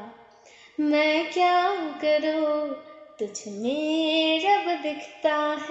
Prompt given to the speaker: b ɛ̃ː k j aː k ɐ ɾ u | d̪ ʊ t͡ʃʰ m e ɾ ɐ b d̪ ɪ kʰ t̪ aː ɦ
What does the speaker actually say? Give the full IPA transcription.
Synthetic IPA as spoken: m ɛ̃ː k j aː k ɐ ɾ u | t̪ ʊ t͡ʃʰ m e ɾ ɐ b d̪ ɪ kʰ t̪ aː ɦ

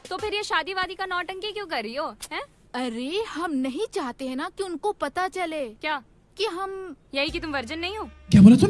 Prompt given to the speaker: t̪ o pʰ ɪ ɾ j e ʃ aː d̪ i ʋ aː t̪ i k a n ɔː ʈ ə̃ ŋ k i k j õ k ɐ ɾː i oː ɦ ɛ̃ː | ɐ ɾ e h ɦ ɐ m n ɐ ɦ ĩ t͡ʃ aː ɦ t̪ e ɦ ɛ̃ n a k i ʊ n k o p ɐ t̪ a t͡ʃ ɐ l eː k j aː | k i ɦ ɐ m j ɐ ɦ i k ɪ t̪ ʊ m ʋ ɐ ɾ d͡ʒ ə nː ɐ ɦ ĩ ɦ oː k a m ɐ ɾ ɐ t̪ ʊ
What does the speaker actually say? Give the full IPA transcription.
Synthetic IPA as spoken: t̪ o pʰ ɪ ɾ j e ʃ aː d̪ i ʋ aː d̪ i k a n ɔː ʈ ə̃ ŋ k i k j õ k ɐ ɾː i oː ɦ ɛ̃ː | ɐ ɾ e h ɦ ɐ m n ɐ ɦ ĩ t͡ʃ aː ɦ t̪ e ɦ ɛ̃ n a k i ʊ n k o p ɐ t̪ a t͡ʃ ɐ l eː k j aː | k i ɦ ɐ m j ɐ ɦ i k i t̪ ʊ m ʋ ɐ ɾ d͡ʒ ə nː ɐ ɦ ĩ ɦ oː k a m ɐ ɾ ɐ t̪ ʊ

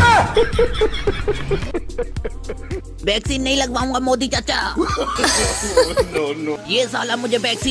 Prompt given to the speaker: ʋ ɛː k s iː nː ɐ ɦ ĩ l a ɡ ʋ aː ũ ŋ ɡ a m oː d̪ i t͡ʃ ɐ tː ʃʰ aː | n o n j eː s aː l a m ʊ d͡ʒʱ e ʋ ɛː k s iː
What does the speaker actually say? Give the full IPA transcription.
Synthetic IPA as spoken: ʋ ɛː k s iː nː ɐ ɦ ĩ l ɐ ɡ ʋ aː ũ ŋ ɡ a m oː d̪ i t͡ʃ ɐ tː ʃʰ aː | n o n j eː s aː l a m ʊ d͡ʒʱ e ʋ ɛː k s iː

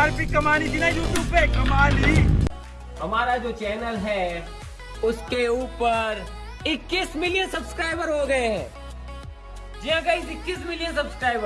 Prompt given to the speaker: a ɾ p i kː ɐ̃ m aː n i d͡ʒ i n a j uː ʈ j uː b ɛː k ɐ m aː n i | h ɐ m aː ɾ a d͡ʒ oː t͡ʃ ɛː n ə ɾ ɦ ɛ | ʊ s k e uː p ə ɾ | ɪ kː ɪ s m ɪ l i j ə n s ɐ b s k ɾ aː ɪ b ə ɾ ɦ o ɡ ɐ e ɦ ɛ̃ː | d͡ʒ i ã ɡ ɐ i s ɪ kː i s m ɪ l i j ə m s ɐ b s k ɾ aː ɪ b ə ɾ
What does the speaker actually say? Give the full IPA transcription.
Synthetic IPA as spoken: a ɾ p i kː ɐ m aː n i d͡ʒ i n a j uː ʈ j uː b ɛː k ɐ m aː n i | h ɐ m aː ɾ a d͡ʒ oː t͡ʃ ɛː n ə l ɦ ɛ | ʊ s k e uː p ə ɾ | ɪ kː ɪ s m ɪ l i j ə n s ɐ b s k ɾ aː ɪ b ə ɾ ɦ o ɡ ɐ e ɦ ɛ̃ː | d͡ʒ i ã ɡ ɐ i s ɪ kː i s m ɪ l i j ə n s ɐ b s k ɾ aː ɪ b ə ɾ

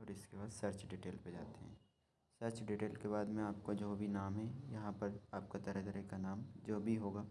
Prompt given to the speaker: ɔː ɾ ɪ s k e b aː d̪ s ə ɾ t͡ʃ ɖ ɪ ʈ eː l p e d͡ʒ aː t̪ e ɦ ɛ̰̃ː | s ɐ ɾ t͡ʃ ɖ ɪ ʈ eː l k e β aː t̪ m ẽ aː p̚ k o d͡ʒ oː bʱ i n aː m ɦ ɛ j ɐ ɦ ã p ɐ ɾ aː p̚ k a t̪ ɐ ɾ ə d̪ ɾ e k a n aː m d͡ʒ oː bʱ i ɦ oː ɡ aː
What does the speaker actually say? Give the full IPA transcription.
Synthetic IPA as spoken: ɔː ɾ ɪ s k e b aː d̪ s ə ɾ t͡ʃ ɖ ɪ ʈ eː l p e d͡ʒ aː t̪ e ɦ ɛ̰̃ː | s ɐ ɾ t͡ʃ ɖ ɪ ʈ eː l k e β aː d̪ m ẽ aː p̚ k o d͡ʒ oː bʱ i n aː m ɦ ɛ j ɐ ɦ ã p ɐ ɾ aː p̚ k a t̪ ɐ ɾ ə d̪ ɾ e k a n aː m d͡ʒ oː bʱ i ɦ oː ɡ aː

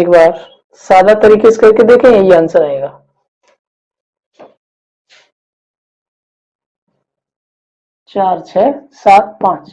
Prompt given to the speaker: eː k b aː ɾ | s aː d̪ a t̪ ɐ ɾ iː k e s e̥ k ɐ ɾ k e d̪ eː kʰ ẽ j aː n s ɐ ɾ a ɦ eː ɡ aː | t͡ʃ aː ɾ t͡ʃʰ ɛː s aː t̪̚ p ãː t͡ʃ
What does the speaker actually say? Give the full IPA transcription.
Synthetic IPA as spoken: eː k b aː ɾ | s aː d̪ a t̪ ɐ ɾ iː k e s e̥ k ɐ ɾ k e d̪ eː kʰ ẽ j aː n s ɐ ɾ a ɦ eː ɡ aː | t͡ʃ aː ɾ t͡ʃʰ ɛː s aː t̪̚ p ãː t͡ʃ

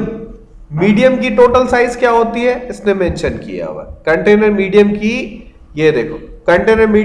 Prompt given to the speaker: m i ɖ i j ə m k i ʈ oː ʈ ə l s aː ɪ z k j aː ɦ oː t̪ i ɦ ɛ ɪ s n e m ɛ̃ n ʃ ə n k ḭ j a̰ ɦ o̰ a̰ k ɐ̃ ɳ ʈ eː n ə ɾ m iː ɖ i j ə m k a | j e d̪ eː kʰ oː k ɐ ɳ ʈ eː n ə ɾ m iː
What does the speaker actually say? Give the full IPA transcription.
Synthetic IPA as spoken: m iː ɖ i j ə m k i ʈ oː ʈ ə l s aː ɪ z k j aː ɦ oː t̪ i ɦ ɛ ɪ s n e m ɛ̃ n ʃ ə n k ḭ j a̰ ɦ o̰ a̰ k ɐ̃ ɳ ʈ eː n ə ɾ m iː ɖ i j ə m k i | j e d̪ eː kʰ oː k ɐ ɳ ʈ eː n ə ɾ m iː

